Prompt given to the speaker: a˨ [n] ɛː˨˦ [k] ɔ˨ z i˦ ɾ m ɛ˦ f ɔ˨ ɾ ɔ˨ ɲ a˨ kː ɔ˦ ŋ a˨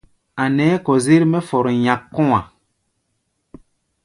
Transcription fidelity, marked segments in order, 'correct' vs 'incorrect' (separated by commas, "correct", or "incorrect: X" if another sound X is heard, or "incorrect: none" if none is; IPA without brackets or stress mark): correct, correct